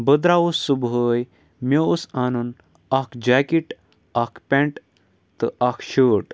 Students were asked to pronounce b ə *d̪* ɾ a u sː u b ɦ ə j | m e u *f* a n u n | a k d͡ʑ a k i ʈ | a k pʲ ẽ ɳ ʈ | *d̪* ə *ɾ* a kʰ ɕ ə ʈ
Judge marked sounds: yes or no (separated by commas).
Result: yes, no, no, no